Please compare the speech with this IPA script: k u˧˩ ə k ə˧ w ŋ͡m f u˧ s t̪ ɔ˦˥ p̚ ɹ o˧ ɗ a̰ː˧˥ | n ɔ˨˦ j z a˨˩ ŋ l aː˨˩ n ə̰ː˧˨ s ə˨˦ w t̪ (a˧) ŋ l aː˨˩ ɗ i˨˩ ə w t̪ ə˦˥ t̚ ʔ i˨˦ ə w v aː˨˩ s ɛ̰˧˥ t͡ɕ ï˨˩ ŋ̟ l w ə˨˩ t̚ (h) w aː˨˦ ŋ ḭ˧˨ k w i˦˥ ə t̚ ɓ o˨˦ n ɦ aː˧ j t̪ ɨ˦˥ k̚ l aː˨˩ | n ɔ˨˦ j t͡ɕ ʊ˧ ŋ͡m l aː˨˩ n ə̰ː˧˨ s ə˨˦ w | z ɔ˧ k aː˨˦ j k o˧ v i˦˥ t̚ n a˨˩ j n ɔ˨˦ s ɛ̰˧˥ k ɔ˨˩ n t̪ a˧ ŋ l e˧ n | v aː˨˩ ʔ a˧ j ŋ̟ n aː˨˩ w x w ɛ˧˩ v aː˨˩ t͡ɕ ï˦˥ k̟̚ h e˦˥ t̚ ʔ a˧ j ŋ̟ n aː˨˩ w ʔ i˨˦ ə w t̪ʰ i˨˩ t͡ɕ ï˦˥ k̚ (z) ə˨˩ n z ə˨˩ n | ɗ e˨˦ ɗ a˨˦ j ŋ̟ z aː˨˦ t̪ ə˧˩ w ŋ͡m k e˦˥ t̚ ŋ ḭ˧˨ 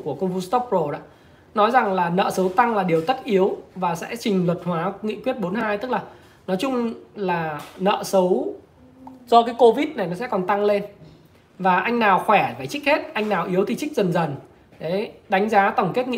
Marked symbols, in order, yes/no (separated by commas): yes, yes, yes